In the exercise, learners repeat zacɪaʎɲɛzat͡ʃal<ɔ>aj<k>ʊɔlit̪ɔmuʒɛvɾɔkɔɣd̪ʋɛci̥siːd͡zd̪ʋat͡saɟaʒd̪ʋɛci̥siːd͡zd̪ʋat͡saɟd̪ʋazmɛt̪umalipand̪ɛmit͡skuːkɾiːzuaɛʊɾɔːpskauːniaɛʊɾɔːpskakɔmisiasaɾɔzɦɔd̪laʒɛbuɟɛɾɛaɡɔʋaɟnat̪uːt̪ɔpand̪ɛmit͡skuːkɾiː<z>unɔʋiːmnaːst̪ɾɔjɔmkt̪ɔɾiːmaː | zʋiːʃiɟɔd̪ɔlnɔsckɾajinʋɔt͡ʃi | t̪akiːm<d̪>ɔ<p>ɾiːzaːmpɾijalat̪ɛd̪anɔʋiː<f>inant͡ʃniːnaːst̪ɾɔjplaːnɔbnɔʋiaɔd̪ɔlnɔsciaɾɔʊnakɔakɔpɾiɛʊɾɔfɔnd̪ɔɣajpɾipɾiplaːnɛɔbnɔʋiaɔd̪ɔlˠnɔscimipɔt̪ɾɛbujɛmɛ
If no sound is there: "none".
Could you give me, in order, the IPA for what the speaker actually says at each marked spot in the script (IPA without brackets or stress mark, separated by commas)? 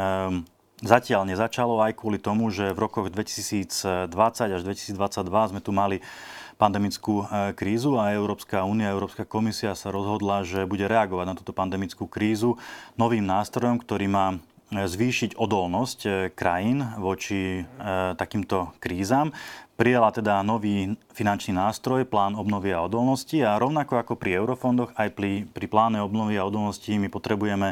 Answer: ɔ, k, z, t̪, k, f